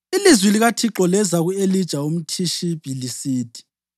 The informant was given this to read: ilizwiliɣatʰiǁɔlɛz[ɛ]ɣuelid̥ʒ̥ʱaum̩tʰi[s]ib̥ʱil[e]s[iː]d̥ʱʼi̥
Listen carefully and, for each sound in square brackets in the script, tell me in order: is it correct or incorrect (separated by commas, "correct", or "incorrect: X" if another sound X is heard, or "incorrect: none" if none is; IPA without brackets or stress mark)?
incorrect: a, incorrect: ʃ, incorrect: i, correct